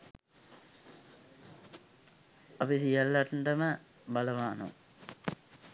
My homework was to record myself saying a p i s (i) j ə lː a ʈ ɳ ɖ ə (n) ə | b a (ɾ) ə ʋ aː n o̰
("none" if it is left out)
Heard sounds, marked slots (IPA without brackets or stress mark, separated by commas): i, m, l